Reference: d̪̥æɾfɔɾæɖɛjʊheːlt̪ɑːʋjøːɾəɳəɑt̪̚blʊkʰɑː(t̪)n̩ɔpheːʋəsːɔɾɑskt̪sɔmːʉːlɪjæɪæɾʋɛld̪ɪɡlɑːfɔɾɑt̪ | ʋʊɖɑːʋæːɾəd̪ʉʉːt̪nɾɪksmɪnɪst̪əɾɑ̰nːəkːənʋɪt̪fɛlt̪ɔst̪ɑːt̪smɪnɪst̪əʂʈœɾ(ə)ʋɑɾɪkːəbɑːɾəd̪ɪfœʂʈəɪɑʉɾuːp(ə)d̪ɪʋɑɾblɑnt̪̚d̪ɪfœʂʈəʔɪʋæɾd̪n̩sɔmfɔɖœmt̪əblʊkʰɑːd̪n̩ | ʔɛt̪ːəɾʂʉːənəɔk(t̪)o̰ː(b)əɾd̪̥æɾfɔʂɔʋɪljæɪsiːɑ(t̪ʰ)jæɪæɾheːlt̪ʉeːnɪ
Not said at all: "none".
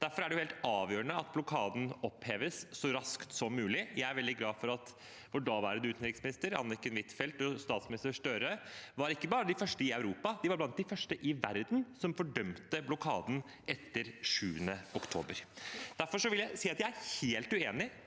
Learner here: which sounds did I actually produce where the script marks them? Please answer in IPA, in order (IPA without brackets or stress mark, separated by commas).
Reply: d̪, ə, ɑ, t̪ʰ, b, t̪